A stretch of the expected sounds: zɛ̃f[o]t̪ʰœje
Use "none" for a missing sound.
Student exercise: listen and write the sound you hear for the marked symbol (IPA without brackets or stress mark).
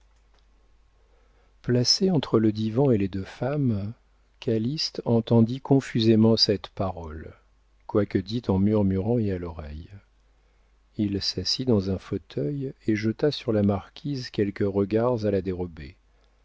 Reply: o